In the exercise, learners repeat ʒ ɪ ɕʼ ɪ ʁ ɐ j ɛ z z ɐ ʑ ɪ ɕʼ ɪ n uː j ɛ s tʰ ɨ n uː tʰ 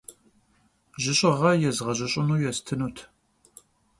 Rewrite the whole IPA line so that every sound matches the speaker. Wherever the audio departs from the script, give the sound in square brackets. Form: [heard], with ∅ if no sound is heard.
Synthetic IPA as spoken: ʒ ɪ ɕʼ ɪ ʁ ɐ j ɛ z [ʁ] ɐ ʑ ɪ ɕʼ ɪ n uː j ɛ s tʰ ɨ n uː tʰ